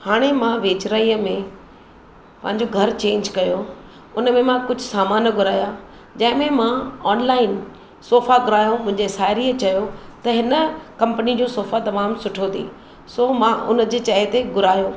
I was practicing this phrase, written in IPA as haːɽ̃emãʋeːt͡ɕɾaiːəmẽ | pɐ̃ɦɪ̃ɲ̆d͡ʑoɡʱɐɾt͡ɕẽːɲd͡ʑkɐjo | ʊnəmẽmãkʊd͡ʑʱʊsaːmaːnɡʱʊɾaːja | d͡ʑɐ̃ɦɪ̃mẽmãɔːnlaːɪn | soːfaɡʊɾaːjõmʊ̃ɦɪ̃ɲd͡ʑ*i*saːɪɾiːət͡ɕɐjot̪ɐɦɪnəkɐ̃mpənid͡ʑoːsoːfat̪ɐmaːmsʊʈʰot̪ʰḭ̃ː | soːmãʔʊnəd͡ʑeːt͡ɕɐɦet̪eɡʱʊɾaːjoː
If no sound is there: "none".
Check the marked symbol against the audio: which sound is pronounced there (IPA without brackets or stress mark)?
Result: e